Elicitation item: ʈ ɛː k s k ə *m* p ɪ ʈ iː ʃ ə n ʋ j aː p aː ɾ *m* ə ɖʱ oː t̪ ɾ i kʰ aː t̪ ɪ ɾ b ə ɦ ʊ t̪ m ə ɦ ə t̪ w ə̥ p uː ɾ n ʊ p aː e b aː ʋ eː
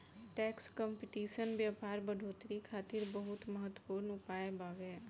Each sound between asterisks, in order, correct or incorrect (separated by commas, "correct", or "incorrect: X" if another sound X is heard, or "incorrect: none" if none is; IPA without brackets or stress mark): correct, incorrect: b